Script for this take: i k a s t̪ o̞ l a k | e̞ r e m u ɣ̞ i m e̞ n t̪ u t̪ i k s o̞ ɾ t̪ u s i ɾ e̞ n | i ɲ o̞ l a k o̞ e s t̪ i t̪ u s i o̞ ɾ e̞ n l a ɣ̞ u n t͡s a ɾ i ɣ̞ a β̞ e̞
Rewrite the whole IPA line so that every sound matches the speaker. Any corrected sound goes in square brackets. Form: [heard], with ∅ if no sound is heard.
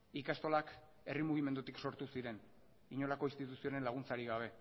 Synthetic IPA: i k a s t̪ o̞ l a k | e̞ r [i] m u ɣ̞ i m e̞ n [d̪] u t̪ i k s o̞ ɾ t̪ u s i ɾ e̞ n | i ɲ o̞ l a k o̞ [i] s t̪ i t̪ u s i o̞ ɾ e̞ n l a ɣ̞ u n t͡s a ɾ i ɣ̞ a β̞ e̞

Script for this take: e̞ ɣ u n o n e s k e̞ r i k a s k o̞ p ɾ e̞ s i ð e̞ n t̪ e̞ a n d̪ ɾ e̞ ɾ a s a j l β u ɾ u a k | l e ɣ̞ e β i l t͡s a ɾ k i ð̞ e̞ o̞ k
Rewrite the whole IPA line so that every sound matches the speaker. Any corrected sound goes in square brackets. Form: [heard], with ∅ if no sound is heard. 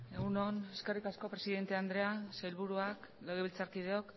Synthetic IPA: e̞ ɣ u n o n e s k e̞ r i k a s k o̞ p ɾ e̞ s i ð e̞ n t̪ e̞ a n d̪ ɾ e̞ [∅] a s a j l β u ɾ u a k | l e ɣ̞ e β i l t͡s a ɾ k i ð̞ e̞ o̞ k

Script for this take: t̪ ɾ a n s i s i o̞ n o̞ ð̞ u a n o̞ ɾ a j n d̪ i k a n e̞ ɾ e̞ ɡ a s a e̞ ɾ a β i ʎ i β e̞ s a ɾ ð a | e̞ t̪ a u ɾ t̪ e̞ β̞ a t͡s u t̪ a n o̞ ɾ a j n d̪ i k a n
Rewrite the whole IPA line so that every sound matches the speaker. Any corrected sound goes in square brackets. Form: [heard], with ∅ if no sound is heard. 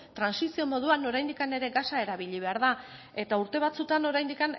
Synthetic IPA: t̪ ɾ a n s i s i o̞ [m] o̞ ð̞ u a n o̞ ɾ a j n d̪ i k a n e̞ ɾ e̞ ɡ a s a e̞ ɾ a β i ʎ i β e̞ [∅] a ɾ ð a | e̞ t̪ a u ɾ t̪ e̞ β̞ a t͡s u t̪ a n o̞ ɾ a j n d̪ i k a n

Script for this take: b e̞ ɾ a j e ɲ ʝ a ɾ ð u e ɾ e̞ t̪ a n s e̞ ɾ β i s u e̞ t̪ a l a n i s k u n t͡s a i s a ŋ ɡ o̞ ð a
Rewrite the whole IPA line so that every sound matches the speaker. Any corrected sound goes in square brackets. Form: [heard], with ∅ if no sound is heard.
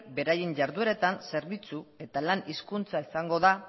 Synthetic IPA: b e̞ ɾ a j e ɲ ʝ a ɾ ð u e ɾ e̞ t̪ a n s e̞ ɾ β i [t͡s] u e̞ t̪ a l a n i s k u n t͡s a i s a ŋ ɡ o̞ ð a

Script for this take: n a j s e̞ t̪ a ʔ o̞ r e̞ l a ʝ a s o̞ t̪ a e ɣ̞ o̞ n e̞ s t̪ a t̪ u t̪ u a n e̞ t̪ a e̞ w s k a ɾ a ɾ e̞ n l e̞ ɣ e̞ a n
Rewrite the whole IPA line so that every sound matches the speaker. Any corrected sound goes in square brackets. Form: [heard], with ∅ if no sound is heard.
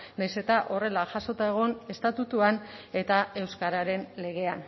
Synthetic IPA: n a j s e̞ t̪ a ʔ o̞ r e̞ l a ʝ a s o̞ t̪ a e ɣ̞ o̞ n e̞ s t̪ a t̪ u t̪ u a n e̞ t̪ a e̞ w s k a ɾ a ɾ e̞ n l e̞ ɣ e̞ a n

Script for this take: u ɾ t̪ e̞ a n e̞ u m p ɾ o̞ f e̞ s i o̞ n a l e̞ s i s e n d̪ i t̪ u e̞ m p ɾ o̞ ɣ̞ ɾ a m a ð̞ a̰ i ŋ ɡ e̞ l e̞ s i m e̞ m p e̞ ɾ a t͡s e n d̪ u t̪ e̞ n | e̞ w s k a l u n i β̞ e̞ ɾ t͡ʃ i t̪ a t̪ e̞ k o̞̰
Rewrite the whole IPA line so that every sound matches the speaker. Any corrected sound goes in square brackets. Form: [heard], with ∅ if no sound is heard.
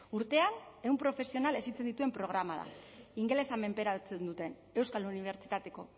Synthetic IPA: u ɾ t̪ e̞ a n e̞ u m p ɾ o̞ f e̞ s i o̞ n a l e̞ s i [t͡s] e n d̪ i t̪ u e̞ m p ɾ o̞ ɣ̞ ɾ a m a ð̞ a̰ i ŋ ɡ e̞ l e̞ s [a] m e̞ m p e̞ ɾ a t͡s e n d̪ u t̪ e̞ n | e̞ w s k a l u n i β̞ e̞ ɾ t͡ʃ i t̪ a t̪ e̞ k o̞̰

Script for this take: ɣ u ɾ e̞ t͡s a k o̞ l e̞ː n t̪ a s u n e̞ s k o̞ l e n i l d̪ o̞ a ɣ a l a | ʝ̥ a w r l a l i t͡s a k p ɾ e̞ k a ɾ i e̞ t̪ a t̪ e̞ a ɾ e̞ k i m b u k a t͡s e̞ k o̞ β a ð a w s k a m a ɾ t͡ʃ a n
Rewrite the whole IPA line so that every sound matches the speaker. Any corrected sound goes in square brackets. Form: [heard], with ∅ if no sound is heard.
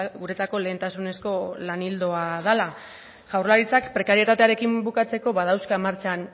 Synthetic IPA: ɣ u ɾ e̞ t͡s a k o̞ l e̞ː n t̪ a s u n e̞ s k o̞ l [a] n i l d̪ o̞ a [ð] a l a | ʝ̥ a w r l a [ɾ] i t͡s a k p ɾ e̞ k a ɾ i e̞ t̪ a t̪ e̞ a ɾ e̞ k i m b u k a t͡s e̞ k o̞ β a ð a w s k a m a ɾ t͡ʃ a n

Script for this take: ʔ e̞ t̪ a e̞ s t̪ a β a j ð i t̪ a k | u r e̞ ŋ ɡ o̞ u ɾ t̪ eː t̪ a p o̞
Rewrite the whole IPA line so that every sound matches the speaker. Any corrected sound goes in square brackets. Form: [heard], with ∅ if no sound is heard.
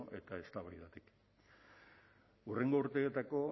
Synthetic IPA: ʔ e̞ t̪ a e̞ s t̪ a β a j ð [a] t̪ [i] k | u r e̞ ŋ ɡ o̞ u ɾ t̪ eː t̪ a [k] o̞

